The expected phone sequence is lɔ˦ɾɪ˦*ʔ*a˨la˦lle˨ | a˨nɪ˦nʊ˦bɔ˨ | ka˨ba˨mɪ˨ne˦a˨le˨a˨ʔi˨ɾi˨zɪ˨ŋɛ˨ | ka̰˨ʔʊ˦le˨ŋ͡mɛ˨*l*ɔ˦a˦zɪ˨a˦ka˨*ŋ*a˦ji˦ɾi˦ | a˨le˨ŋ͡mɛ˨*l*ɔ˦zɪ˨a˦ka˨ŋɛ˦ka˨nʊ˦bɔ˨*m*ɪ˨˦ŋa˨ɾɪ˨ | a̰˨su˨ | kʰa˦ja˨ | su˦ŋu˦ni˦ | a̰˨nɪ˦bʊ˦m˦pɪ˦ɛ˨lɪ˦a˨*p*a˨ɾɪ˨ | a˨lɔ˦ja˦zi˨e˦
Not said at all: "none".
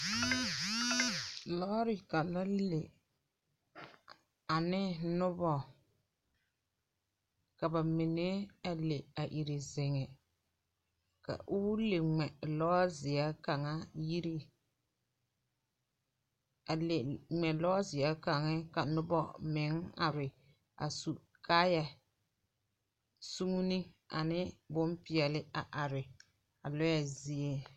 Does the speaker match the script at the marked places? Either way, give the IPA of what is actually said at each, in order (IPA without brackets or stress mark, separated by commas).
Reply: k, l, ŋ, l, m, ʔ